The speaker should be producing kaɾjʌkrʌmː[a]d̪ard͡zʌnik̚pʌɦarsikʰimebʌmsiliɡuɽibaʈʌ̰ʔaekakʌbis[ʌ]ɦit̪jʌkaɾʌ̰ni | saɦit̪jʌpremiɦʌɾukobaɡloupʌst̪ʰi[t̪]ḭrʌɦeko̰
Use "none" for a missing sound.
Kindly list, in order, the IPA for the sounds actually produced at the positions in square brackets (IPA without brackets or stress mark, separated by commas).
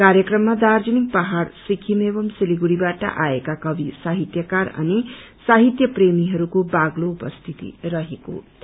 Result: a, a, t̪